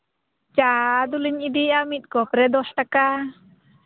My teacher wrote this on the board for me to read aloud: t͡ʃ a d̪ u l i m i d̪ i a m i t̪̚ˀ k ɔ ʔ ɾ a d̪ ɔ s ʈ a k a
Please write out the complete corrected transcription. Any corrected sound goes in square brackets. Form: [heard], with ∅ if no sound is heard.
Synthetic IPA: t͡ʃ a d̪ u l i [ɲ] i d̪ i a m i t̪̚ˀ k ɔ [p] ɾ [ɛ] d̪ ɔ s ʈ a k a